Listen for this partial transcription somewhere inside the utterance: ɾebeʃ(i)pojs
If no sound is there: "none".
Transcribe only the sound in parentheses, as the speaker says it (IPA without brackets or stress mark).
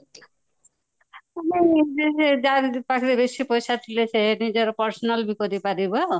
i